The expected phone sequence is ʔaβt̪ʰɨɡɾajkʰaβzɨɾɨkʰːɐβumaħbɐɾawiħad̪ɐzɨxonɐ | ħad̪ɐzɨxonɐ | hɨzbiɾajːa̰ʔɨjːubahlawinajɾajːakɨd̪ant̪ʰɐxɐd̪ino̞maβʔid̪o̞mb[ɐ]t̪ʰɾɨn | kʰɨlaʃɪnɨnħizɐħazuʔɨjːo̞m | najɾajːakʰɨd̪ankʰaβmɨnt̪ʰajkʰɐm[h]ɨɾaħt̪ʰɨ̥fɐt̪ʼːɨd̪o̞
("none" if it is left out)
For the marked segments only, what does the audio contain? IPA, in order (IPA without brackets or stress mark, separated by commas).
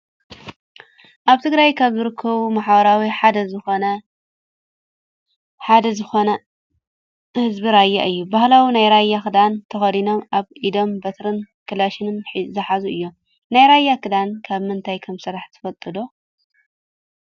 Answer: ɐ, s